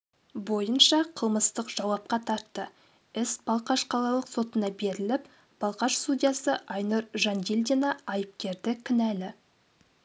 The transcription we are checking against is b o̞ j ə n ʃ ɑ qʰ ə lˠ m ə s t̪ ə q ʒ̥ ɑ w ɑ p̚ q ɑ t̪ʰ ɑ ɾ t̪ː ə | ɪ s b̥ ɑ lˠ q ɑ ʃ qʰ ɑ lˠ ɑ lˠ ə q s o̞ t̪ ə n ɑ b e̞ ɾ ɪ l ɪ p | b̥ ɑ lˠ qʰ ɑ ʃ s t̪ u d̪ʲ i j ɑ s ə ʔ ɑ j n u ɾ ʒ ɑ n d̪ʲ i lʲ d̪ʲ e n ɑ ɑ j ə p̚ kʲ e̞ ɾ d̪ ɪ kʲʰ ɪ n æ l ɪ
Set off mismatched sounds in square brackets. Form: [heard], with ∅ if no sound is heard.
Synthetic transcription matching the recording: b o̞ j ə n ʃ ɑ qʰ ə lˠ m ə s t̪ ə q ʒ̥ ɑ w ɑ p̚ q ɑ t̪ʰ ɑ ɾ t̪ː ə | ɪ s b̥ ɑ lˠ q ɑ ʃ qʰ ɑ lˠ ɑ lˠ ə q s o̞ t̪ ə n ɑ b e̞ ɾ ɪ l ɪ p | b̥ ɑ lˠ [q] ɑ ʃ s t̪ u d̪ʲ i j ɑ s ə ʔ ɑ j n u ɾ ʒ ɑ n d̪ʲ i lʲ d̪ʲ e n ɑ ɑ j ə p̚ kʲ e̞ ɾ d̪ ɪ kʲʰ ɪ n æ l ɪ